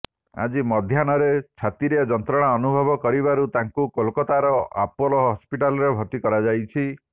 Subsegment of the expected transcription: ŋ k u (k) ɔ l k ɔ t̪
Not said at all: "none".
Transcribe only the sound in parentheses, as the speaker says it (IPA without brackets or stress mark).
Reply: k